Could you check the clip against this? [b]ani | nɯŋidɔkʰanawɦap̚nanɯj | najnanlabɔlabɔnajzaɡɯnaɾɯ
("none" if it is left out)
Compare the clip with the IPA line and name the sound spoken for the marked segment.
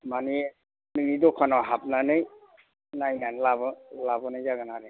m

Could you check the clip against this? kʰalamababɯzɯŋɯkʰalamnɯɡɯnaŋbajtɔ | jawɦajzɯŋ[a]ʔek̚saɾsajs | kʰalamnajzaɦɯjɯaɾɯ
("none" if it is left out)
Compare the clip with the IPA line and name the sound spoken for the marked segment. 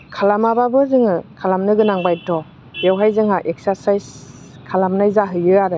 a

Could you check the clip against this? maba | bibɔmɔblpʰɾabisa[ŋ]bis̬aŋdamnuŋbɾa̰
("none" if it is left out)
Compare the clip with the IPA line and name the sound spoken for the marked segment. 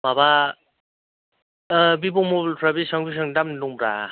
ŋ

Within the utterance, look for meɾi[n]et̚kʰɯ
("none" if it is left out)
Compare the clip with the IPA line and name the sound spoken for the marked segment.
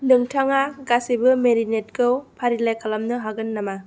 n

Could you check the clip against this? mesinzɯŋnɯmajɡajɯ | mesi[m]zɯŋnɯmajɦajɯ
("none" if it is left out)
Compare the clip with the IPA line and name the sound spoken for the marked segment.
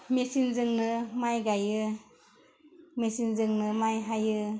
n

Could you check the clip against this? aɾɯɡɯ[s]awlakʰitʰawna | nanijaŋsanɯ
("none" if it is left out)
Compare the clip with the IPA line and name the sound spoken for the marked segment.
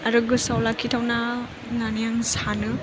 s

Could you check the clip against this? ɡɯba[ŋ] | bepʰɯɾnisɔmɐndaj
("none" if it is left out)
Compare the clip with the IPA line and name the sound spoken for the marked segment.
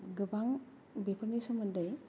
ŋ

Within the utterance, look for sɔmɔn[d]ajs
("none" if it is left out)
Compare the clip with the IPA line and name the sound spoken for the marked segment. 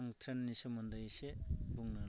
d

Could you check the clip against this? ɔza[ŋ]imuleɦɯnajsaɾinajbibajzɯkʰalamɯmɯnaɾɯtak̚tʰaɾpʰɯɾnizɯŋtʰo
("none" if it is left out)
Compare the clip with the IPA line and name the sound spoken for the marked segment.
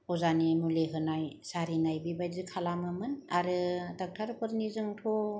n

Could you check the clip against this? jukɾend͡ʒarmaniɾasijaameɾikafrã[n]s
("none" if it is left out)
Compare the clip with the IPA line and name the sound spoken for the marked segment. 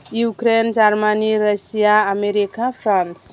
n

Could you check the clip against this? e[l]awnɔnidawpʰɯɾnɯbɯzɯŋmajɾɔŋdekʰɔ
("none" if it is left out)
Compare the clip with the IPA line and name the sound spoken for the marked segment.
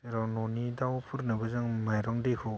ɾ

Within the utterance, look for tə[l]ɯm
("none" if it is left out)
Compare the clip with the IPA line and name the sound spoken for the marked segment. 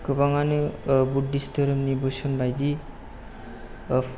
ɾ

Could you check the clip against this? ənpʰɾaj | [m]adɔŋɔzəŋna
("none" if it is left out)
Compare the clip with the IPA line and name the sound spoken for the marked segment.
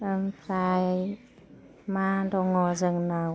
m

